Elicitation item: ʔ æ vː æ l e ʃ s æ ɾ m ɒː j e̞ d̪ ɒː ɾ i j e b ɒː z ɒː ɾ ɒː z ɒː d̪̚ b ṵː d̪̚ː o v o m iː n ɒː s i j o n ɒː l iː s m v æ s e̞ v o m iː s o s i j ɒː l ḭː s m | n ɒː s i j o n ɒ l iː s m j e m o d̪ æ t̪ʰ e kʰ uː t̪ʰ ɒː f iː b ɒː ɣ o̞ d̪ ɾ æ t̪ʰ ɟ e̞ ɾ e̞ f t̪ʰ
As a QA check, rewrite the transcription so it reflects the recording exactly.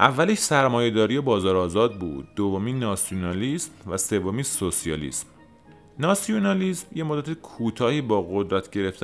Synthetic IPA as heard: ʔ æ vː æ l e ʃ s æ ɾ m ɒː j e̞ d̪ ɒː ɾ i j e b ɒː z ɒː ɾ ɒː z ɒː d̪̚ b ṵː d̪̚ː o v o m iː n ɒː s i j o n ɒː l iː s m v æ s e̞ v o m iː s o s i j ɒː l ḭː s m | n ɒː s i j o n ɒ l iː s m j e m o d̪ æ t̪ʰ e kʰ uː t̪ʰ ɒː h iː b ɒː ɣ o̞ d̪ ɾ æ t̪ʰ ɟ e̞ ɾ e̞ f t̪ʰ